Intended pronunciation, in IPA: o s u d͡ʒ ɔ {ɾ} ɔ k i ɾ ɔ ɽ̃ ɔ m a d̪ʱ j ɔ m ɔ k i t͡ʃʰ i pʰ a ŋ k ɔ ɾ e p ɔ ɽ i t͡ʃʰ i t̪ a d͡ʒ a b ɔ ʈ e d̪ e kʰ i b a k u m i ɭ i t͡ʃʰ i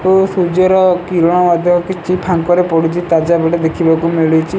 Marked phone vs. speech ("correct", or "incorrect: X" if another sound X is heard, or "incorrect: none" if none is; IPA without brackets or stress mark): correct